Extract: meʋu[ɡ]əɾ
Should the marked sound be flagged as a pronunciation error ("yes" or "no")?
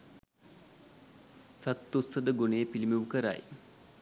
yes